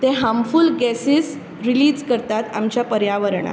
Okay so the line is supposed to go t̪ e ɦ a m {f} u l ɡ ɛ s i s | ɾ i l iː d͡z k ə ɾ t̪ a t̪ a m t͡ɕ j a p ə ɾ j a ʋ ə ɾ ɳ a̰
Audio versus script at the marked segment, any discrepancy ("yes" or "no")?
no